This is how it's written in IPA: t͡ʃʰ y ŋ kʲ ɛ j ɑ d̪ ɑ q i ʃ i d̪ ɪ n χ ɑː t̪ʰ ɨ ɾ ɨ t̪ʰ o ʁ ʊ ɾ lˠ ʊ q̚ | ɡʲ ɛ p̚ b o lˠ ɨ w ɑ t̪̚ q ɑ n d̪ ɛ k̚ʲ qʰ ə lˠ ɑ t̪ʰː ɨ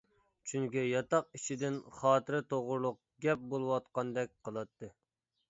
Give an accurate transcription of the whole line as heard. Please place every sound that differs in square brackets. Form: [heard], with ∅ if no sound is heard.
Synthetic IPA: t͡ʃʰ y ŋ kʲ [i] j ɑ [t̪] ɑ q i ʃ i d̪ ɪ n χ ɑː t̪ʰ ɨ ɾ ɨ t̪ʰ o ʁ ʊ ɾ lˠ ʊ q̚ | ɡʲ ɛ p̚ b o lˠ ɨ w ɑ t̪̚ q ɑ n d̪ ɛ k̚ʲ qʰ ə lˠ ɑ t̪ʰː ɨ